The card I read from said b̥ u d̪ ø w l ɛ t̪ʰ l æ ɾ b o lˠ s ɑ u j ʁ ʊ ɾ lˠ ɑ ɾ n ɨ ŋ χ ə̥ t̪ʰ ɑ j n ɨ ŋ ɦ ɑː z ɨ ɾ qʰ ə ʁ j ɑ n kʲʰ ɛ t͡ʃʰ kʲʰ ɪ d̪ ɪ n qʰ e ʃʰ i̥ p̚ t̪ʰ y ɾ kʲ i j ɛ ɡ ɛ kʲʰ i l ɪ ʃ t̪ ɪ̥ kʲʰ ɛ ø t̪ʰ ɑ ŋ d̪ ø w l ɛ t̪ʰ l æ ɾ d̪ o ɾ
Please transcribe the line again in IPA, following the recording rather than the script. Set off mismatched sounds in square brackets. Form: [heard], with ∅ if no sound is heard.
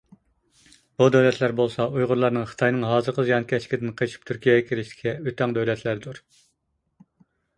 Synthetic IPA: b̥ u d̪ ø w l ɛ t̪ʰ l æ ɾ b o lˠ s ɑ u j ʁ ʊ ɾ lˠ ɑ ɾ n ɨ ŋ χ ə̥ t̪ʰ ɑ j n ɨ ŋ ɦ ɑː z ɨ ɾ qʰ ə [z] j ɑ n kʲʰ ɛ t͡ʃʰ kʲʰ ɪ d̪ ɪ n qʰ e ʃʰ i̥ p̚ t̪ʰ y ɾ kʲ i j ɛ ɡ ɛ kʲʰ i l ɪ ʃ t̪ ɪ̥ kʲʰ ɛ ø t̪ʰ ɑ ŋ d̪ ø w l ɛ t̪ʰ l æ ɾ d̪ [u] ɾ

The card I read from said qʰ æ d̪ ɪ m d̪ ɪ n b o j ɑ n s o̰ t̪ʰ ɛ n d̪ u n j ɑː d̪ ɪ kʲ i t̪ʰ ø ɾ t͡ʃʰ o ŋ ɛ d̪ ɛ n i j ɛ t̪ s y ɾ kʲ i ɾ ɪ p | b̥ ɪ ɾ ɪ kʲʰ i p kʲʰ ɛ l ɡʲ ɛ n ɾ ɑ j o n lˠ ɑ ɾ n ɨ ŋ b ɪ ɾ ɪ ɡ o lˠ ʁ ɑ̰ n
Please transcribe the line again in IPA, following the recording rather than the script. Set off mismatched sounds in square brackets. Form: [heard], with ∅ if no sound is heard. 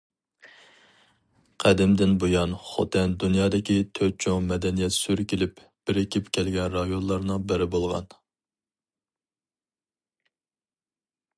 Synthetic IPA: qʰ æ d̪ ɪ m d̪ ɪ n b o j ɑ n [χ] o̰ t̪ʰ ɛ n d̪ u n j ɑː d̪ ɪ kʲ i t̪ʰ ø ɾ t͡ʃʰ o [m] ɛ d̪ ɛ n i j ɛ t̪ s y ɾ kʲ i [l] ɪ p | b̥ ɪ ɾ ɪ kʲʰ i p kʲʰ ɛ l ɡʲ ɛ n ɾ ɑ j o n lˠ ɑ ɾ n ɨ ŋ b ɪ ɾ ɪ [b] o lˠ ʁ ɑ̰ n

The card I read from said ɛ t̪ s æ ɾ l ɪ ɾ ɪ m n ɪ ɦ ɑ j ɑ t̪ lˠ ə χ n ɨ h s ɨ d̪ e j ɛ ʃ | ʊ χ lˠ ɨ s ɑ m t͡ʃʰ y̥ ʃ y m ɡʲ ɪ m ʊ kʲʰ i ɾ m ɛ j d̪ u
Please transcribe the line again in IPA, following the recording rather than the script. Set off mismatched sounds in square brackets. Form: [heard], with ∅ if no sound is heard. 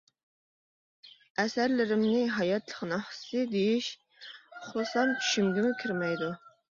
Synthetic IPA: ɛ [∅] s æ ɾ l ɪ ɾ ɪ m n ɪ ɦ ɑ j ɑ t̪ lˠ ə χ n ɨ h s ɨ d̪ e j [i] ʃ | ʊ χ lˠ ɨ s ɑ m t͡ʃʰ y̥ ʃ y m ɡʲ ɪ m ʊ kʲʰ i ɾ m ɛ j d̪ u

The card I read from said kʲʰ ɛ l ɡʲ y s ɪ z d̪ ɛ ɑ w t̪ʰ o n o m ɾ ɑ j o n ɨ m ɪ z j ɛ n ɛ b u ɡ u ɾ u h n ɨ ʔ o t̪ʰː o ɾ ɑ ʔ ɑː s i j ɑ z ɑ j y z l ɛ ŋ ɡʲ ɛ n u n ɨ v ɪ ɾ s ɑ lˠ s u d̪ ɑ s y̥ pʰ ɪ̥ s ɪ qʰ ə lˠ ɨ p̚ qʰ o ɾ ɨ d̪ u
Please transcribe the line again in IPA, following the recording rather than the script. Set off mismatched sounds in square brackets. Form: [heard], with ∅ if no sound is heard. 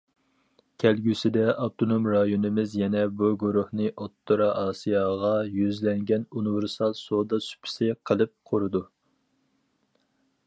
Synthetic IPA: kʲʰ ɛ l ɡʲ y s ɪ [∅] d̪ ɛ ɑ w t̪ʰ o n o m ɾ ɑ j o n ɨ m ɪ z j ɛ n ɛ b u ɡ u ɾ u h n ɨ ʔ o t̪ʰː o ɾ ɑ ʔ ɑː s i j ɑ [ʁ] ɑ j y z l ɛ ŋ ɡʲ ɛ n u n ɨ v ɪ ɾ s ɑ lˠ s [o] d̪ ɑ s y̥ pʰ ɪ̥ s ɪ qʰ ə lˠ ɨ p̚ qʰ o ɾ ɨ d̪ u

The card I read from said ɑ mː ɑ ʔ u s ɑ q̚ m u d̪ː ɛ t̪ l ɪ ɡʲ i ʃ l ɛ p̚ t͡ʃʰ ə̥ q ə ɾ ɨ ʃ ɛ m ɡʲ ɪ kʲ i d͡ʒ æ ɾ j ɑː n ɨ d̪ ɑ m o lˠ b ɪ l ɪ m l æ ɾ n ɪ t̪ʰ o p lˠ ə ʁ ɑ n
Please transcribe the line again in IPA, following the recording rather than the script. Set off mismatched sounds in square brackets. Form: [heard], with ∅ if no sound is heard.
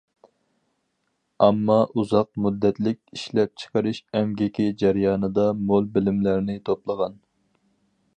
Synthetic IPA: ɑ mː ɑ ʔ u [z] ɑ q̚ m u d̪ː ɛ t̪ l ɪ [kʲ] i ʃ l ɛ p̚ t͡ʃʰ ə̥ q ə ɾ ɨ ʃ ɛ m ɡʲ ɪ kʲ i d͡ʒ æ ɾ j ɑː n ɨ d̪ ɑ m o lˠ b ɪ l ɪ m l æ ɾ n ɪ t̪ʰ o p lˠ ə ʁ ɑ n

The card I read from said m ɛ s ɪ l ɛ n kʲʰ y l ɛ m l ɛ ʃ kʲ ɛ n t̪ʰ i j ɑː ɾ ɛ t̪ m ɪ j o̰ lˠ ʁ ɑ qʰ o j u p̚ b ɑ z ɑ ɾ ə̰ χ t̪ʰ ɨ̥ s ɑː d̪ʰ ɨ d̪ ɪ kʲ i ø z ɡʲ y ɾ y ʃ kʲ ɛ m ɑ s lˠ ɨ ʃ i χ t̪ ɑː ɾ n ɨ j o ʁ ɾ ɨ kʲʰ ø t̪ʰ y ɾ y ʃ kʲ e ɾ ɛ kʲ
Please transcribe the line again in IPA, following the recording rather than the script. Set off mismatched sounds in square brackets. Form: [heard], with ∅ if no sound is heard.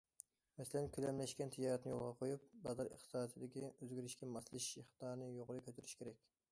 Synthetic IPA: m ɛ s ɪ l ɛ n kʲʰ y l ɛ m l ɛ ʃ kʲ ɛ n t̪ʰ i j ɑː ɾ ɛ t̪ [n] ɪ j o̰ lˠ ʁ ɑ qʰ o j u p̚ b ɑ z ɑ ɾ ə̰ χ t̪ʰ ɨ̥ s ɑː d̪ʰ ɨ d̪ ɪ kʲ i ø z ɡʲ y ɾ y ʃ kʲ ɛ m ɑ s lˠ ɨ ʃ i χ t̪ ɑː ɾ n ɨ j o ʁ ɾ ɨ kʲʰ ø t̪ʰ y ɾ y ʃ kʲ e ɾ ɛ kʲ

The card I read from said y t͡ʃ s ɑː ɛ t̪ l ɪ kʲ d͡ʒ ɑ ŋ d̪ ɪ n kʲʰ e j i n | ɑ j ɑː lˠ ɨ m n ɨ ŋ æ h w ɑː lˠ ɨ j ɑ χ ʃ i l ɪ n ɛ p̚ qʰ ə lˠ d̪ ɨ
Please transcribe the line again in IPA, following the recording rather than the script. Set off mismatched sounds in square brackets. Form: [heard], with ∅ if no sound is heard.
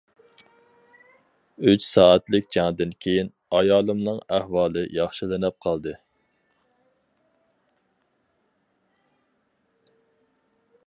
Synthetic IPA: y t͡ʃ s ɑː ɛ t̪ l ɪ kʲ d͡ʒ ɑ ŋ d̪ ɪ n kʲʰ e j i n | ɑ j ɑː lˠ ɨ m n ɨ ŋ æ h w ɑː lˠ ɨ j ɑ χ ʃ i l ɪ n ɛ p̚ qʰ [ɑ] lˠ d̪ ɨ

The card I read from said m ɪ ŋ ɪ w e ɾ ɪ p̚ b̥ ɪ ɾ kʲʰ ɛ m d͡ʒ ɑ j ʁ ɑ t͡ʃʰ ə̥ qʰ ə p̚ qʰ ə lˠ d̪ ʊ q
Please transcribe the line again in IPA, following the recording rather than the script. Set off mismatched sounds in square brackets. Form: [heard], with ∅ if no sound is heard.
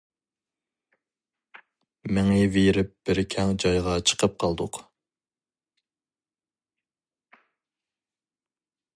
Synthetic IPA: m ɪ ŋ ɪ [v] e ɾ ɪ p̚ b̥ ɪ ɾ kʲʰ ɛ [ŋ] d͡ʒ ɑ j ʁ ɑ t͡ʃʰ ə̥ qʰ ə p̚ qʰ [ɑ] lˠ d̪ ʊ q

